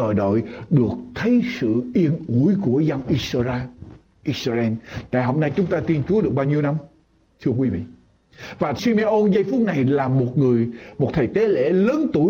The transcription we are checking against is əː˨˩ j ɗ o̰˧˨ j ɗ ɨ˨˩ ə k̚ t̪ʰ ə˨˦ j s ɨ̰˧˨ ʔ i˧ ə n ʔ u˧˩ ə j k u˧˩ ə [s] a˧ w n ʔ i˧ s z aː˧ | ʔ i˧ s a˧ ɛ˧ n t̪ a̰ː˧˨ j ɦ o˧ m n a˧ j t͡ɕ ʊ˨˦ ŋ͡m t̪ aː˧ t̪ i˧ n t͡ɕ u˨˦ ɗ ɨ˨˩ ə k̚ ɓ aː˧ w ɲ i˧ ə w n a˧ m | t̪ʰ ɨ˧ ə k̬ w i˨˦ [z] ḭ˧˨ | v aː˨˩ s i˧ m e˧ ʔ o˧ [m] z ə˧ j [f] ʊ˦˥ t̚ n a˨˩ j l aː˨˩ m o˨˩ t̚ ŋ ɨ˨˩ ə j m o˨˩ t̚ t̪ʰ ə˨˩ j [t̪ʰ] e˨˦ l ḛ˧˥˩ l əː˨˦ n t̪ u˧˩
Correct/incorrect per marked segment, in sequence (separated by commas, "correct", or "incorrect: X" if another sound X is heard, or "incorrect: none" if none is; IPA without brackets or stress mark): incorrect: z, incorrect: v, incorrect: n, correct, incorrect: t̪